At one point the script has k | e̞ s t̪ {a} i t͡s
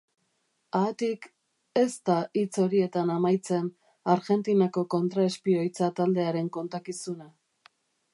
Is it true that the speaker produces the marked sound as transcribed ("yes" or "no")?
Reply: yes